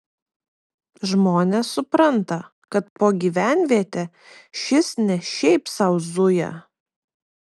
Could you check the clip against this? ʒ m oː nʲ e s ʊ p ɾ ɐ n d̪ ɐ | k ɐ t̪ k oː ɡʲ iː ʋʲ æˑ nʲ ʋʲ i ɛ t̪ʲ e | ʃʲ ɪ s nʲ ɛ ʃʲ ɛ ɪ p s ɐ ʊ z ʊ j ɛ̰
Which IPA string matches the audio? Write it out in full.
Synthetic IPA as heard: ʒ m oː nʲ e s ʊ p ɾ ɐ n t̪ ɐ | k ɐ t̪ p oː ɡʲ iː ʋʲ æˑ nʲ ʋʲ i ɛ t̪ʲ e | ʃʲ ɪ s nʲ ɛ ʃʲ ɛ ɪ p s ɐ ʊ z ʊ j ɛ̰